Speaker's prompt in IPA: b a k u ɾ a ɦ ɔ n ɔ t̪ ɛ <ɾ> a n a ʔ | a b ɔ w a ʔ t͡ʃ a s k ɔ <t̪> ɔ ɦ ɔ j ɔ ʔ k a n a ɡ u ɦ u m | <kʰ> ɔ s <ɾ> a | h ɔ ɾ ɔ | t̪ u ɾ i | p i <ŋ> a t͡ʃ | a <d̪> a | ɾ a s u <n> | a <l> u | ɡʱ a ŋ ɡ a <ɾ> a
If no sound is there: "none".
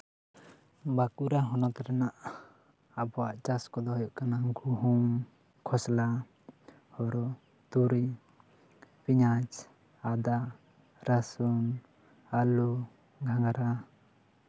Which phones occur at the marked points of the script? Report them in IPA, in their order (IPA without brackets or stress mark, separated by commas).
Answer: ɾ, d̪, kʰ, l, ɲ, d̪, n, l, ɾ